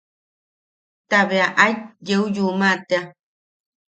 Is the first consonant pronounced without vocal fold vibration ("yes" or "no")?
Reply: yes